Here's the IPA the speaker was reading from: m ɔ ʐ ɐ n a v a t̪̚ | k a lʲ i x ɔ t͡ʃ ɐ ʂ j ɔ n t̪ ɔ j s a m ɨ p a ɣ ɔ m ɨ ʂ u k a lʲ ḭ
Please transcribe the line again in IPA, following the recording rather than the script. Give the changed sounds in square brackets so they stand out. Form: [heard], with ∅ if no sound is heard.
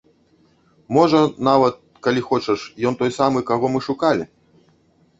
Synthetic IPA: m ɔ ʐ ɐ n a v [ɐ] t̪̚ | k a lʲ i x ɔ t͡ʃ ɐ ʂ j ɔ n t̪ ɔ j s a m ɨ [k] a ɣ ɔ m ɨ ʂ u k a lʲ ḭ